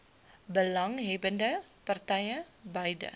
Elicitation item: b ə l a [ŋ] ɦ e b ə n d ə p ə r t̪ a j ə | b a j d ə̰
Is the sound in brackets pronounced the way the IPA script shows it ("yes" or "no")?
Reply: yes